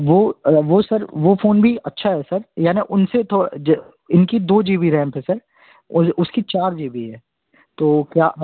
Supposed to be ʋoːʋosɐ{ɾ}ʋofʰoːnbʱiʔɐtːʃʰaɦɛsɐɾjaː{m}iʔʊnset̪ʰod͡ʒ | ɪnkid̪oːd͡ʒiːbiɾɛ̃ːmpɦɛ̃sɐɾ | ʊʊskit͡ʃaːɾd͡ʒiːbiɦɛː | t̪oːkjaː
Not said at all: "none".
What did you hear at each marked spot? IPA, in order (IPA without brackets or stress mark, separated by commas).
ɾ, n